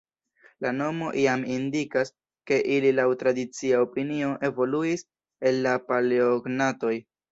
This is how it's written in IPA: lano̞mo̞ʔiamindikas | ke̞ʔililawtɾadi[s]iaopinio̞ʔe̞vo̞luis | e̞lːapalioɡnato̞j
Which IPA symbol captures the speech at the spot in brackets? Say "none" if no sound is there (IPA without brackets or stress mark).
t͡s